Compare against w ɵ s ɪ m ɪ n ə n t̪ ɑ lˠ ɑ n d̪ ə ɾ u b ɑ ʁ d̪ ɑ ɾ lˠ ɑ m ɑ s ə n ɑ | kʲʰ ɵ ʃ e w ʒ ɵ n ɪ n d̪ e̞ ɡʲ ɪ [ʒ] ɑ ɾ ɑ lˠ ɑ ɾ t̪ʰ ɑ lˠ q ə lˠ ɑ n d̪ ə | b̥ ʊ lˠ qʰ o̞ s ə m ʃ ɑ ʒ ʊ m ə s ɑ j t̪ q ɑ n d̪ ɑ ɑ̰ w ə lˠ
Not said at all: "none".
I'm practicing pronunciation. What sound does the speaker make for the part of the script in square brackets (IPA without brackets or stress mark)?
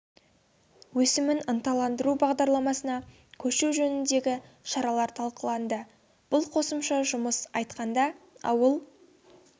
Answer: ʃ